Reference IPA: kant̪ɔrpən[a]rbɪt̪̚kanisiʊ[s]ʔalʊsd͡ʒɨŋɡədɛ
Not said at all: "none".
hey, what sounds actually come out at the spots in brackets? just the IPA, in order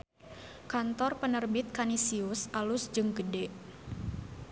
ə, s

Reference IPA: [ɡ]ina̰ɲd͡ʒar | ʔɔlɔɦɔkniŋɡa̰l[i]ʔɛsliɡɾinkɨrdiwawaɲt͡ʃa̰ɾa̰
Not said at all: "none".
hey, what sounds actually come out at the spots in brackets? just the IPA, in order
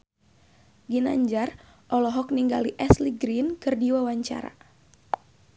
ɡ, i

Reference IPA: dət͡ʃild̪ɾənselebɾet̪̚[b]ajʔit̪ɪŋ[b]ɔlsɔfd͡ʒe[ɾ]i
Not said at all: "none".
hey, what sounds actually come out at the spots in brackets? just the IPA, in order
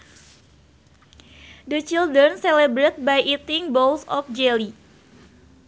b, b, l

